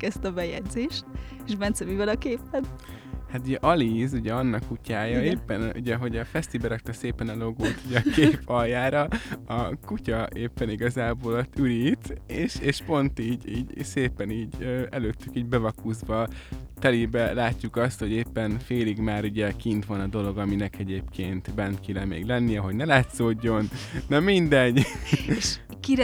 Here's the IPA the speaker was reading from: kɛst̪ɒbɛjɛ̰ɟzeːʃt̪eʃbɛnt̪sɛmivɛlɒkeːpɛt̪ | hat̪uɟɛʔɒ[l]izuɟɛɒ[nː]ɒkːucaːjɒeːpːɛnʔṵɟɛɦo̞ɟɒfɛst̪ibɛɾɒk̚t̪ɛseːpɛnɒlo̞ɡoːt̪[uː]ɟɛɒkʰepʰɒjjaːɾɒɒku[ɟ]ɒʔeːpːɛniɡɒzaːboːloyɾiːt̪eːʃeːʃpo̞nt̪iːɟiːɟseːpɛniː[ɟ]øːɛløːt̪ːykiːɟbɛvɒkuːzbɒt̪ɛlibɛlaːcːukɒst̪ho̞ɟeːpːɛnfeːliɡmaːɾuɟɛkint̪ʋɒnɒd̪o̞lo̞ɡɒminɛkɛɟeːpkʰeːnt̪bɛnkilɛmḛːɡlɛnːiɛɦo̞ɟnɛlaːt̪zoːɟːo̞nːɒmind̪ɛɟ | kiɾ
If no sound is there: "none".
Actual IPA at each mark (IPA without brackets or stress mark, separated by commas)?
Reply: l, nː, u, c, ɟ